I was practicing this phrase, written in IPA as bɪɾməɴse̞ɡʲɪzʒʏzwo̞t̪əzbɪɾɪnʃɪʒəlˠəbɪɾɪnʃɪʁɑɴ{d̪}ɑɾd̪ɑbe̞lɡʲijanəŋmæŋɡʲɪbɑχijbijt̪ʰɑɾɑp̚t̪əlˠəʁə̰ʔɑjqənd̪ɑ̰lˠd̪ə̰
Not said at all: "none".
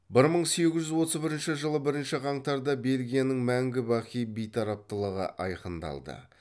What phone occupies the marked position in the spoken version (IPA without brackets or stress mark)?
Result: t̪